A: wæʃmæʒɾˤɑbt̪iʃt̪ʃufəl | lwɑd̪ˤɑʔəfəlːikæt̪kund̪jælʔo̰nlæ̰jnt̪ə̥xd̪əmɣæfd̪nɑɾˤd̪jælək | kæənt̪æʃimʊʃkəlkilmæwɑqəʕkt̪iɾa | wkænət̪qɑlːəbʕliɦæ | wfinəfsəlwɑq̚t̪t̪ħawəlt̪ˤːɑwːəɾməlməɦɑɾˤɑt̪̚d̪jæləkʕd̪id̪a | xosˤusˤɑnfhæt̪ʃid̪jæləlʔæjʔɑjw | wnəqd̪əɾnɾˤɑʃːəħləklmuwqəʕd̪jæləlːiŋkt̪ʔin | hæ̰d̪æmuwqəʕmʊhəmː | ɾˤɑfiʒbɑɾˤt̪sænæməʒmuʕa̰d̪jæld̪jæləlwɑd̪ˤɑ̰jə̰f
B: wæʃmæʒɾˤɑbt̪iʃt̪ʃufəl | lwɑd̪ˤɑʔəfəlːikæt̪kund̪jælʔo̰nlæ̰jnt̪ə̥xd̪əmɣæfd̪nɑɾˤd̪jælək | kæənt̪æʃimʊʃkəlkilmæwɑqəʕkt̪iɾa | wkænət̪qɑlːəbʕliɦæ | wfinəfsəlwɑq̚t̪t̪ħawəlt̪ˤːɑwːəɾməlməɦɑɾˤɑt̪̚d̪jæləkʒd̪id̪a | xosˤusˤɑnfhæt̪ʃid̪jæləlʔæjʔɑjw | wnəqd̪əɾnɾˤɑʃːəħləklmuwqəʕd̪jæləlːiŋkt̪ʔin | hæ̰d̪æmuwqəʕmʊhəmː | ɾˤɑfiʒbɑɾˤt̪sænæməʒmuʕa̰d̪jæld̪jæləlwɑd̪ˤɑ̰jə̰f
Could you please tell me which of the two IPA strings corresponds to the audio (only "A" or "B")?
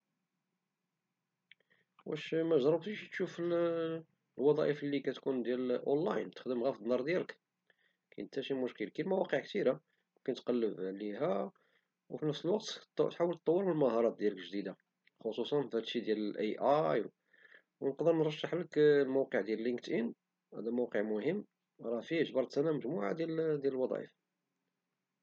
B